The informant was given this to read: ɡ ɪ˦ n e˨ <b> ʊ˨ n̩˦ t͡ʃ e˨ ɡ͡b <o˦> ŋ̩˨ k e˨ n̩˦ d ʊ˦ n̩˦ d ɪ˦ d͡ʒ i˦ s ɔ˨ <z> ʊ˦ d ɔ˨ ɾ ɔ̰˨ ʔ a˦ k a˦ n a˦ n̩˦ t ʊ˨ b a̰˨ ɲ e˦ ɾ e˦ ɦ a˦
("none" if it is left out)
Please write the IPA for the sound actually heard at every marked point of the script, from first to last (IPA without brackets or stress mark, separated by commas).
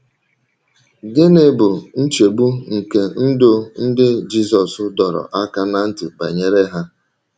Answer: b, u˦, s